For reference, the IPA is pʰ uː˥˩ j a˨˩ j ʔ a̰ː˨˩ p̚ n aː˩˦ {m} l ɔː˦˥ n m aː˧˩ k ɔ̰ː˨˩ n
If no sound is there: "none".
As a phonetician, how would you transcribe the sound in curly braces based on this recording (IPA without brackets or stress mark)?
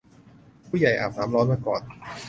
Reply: m